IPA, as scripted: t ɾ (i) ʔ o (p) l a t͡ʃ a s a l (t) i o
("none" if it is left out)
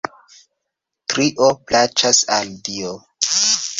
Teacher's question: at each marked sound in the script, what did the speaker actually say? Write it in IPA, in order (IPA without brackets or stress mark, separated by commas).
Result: i, p, d